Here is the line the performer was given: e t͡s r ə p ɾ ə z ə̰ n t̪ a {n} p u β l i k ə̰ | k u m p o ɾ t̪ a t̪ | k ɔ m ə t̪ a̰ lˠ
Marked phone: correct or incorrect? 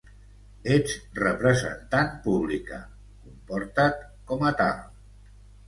correct